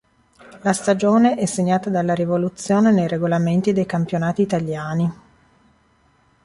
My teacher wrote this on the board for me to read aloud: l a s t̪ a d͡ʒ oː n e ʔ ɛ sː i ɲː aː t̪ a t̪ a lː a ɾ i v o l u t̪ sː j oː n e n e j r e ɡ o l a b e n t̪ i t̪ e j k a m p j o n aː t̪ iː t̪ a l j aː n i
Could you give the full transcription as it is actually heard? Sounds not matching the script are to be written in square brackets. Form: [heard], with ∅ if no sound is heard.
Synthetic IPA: l a s t̪ a d͡ʒ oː n e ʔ ɛ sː [e] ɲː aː t̪ a [d̪] a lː a ɾ i v o l u t̪ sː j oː n e n e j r e ɡ o l a [m] e n t̪ i [d̪] e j k a m p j o n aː t̪ iː t̪ a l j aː n i

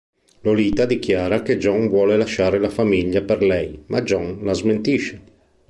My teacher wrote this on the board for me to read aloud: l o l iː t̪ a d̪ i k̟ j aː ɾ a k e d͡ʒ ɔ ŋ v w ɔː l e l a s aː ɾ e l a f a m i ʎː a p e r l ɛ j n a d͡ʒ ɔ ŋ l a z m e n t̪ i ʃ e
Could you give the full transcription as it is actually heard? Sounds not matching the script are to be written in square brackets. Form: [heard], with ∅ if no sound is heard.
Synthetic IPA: l o l iː t̪ a d̪ i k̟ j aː ɾ a k e d͡ʒ ɔ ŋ v w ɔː l e l a [ʃ] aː ɾ e l a f a m i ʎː a p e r l ɛ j [m] a d͡ʒ ɔ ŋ l a z m e n t̪ i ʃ e

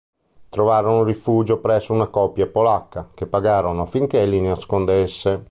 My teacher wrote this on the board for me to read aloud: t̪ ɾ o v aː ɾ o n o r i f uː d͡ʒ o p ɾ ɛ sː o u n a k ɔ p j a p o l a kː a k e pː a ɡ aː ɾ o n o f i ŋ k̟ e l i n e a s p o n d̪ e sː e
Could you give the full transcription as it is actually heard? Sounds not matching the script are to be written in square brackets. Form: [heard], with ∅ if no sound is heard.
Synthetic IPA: t̪ ɾ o v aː ɾ o n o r i f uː d͡ʒ o p ɾ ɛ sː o u n a k ɔ p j a p o l a kː a k e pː a ɡ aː ɾ o n o f i ŋ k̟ e l i n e a s [k] o n d̪ e sː e

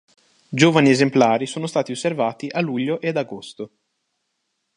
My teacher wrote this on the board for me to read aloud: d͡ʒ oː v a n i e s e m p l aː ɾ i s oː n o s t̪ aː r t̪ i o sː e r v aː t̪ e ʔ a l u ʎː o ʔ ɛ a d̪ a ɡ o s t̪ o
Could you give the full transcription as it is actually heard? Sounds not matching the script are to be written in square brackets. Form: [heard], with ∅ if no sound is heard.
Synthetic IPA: d͡ʒ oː v a n i e [z] e m p l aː ɾ i s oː n o s t̪ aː [∅] t̪ i o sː e r v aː t̪ [i] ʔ a l u ʎː o ʔ [e] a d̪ a ɡ o s t̪ o

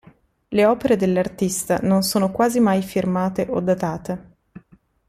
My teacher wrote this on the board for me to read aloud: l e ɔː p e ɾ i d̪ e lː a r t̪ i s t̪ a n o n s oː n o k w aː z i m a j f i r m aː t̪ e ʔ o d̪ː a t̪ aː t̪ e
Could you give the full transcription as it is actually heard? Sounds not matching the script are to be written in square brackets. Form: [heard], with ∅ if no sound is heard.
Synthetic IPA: l e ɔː p e ɾ [e] d̪ e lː a r t̪ i s t̪ a n o n s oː n o k w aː z i m a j f i r m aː t̪ e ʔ o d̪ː a t̪ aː t̪ e

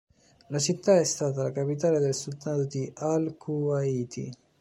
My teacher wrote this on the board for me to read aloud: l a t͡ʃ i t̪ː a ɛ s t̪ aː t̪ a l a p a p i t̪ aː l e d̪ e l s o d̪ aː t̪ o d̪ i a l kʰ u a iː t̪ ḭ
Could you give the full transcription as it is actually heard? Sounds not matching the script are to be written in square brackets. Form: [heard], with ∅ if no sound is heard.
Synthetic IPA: l a t͡ʃ i t̪ː a ɛ s t̪ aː t̪ a l a [k] a p i t̪ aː l e d̪ e l s [u] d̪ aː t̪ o d̪ i a l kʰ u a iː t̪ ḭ

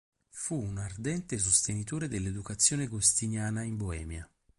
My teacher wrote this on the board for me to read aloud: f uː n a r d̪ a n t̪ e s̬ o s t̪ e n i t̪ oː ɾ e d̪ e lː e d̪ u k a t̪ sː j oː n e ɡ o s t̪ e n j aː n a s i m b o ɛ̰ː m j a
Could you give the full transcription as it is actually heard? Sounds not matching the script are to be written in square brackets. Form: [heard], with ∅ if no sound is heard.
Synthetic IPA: f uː n a r d̪ [ɛ] n t̪ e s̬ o s t̪ e n i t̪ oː ɾ e d̪ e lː e d̪ u k a t̪ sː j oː n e ɡ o s t̪ [i] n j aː n a [∅] i m b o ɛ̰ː m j a

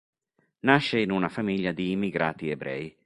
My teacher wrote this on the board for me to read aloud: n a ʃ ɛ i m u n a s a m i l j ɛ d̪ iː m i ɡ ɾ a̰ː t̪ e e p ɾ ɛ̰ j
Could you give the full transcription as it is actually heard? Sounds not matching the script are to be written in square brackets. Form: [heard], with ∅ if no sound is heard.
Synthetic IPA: n a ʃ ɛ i [n] u n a [f] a m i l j [a] d̪ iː m i ɡ ɾ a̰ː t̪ [i] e [b] ɾ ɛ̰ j

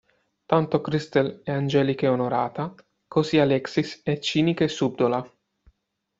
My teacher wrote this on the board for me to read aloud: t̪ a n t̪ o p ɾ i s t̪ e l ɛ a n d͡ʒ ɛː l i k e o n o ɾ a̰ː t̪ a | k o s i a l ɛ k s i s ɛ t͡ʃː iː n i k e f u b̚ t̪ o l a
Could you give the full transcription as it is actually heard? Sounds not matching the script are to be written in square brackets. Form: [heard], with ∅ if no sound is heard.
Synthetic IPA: t̪ a n t̪ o [k] ɾ i s t̪ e l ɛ a n d͡ʒ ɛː l i k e o n o ɾ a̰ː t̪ a | k o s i a l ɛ k s i s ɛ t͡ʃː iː n i k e [s] u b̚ [d̪] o l a

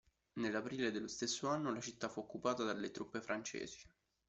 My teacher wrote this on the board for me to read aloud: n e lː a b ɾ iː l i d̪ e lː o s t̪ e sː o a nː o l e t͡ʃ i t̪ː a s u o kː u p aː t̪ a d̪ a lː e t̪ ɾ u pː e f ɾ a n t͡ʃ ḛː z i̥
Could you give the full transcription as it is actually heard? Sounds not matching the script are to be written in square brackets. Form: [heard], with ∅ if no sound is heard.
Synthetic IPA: n e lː a [p] ɾ iː l [e] d̪ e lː o s t̪ e sː o a nː o l [a] t͡ʃ i t̪ː a [f] u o kː u p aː t̪ a d̪ a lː e t̪ ɾ u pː e f ɾ a n t͡ʃ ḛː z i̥

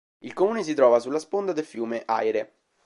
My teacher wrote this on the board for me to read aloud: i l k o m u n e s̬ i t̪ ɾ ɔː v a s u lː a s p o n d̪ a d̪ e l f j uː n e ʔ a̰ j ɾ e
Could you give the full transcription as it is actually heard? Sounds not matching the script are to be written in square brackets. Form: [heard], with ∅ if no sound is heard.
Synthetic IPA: i l k o m [uː] n e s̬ i t̪ ɾ ɔː v a s u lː a s p o n d̪ a d̪ e l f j uː [m] e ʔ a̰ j ɾ e

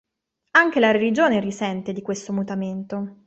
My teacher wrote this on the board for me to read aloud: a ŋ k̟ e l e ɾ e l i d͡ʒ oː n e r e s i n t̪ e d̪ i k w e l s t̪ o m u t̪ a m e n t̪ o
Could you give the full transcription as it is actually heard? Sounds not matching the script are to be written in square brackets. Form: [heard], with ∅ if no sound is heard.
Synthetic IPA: a ŋ k̟ e l [a] ɾ e l i d͡ʒ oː n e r [i] s [ɛ] n t̪ e d̪ i k w e [∅] s t̪ o m u t̪ a m e n t̪ o

